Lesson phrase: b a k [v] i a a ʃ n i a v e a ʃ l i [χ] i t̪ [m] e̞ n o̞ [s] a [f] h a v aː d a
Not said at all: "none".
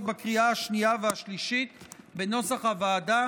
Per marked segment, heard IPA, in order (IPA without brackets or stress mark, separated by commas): ʁ, ʃ, b, s, χ